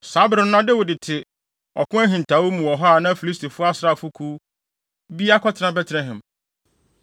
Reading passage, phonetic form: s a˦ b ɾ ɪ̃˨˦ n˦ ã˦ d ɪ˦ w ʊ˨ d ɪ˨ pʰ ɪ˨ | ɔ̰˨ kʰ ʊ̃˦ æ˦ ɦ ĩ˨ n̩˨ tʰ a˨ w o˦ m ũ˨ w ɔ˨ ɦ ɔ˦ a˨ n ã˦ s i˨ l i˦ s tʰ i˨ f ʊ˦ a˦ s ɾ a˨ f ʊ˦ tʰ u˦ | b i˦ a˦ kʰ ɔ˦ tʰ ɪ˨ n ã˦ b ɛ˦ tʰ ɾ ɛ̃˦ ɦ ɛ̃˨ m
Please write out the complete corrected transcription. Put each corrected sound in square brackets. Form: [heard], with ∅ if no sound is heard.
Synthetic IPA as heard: s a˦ b ɾ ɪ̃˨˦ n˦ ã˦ d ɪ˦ w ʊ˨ d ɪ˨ [tʰ] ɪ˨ | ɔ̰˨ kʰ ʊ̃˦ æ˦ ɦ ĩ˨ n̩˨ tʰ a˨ w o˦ m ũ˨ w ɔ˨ ɦ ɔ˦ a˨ n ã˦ [f] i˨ l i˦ s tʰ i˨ f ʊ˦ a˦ s ɾ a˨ f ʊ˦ [kʰ] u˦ | b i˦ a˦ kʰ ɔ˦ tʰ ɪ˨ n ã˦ b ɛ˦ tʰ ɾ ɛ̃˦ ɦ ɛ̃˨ m